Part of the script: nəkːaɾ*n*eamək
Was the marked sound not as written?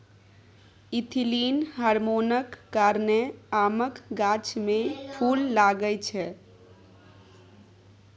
no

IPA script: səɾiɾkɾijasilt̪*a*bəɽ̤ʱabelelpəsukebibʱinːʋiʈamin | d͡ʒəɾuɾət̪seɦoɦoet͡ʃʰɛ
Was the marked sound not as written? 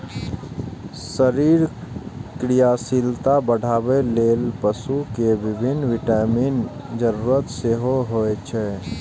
no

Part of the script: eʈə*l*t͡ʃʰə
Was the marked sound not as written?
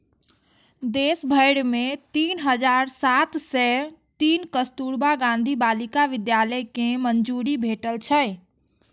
no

